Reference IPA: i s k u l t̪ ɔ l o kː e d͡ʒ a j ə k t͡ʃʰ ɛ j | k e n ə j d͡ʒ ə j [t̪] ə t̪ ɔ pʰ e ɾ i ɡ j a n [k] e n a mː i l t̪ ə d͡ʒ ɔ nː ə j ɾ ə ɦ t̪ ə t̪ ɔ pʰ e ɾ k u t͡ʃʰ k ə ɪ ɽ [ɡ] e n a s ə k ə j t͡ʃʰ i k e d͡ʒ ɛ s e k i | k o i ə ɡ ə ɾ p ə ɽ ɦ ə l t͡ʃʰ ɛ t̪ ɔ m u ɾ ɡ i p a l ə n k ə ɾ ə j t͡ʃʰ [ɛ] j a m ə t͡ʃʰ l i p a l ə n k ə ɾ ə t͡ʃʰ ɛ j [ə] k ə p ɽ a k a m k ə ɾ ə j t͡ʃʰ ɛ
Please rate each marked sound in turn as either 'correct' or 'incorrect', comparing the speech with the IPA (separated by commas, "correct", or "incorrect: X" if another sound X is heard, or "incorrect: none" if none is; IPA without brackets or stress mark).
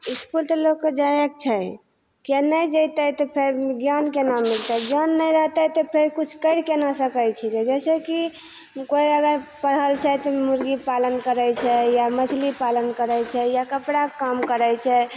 correct, correct, incorrect: k, correct, incorrect: a